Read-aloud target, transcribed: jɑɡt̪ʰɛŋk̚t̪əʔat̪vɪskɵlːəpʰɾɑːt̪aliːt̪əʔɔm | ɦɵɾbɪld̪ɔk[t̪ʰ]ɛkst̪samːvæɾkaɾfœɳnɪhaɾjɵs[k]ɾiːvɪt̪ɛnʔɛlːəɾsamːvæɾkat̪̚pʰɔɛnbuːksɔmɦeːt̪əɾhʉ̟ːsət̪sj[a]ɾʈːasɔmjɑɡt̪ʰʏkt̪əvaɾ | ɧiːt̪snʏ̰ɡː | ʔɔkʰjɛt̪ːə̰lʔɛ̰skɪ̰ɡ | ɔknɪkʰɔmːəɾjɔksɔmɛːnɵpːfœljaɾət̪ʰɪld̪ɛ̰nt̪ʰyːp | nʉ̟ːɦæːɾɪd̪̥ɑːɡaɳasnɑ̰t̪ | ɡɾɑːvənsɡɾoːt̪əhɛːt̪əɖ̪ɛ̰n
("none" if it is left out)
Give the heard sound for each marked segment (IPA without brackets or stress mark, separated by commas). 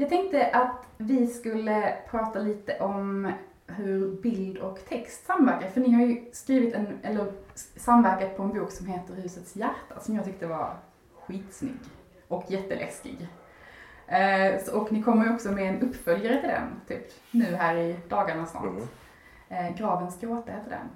t̪ʰ, k, æ